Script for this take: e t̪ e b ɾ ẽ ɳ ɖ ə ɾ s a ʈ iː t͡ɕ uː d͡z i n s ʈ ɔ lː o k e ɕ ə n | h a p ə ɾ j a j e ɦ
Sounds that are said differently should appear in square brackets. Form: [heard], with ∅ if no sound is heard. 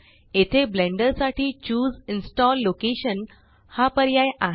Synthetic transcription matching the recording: e [t̪ʰ] e b [l] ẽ ɳ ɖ ə ɾ s a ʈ iː t͡ɕ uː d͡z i n s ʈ ɔ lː o k e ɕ ə n | h a p ə ɾ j a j [a] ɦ